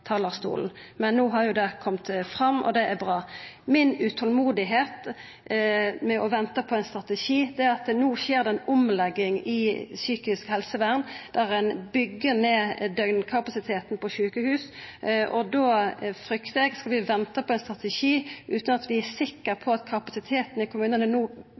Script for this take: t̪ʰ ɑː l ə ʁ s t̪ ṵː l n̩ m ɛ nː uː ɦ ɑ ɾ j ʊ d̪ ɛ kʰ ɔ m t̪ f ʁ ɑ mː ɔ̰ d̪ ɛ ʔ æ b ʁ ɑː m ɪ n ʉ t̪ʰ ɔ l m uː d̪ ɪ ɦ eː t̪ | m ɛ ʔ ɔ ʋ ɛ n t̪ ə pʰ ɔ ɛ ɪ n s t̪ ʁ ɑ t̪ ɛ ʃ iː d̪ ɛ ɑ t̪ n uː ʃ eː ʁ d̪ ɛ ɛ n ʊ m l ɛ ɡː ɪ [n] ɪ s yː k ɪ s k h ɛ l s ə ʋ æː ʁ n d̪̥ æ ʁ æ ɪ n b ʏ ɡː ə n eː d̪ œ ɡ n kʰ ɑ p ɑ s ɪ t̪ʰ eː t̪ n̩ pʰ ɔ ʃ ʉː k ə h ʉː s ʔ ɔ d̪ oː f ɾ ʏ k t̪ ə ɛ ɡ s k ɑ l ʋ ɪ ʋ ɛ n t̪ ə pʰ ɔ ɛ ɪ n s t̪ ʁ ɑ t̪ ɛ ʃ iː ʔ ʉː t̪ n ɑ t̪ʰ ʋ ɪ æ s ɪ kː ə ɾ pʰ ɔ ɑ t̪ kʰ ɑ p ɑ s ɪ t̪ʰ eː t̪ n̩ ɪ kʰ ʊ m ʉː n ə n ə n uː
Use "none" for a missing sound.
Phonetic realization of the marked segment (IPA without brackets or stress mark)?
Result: ŋ